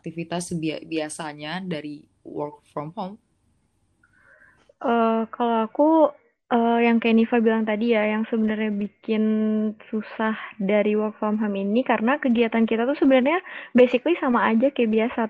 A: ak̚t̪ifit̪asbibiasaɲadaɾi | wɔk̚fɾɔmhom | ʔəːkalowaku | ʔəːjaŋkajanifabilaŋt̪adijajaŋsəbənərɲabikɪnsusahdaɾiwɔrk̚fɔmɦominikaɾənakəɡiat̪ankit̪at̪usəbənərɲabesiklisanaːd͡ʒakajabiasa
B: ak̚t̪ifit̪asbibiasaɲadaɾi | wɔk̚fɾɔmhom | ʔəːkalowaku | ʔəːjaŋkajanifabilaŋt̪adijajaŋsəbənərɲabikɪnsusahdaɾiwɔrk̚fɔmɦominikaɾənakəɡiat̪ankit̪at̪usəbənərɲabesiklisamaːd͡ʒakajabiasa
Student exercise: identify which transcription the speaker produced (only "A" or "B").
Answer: B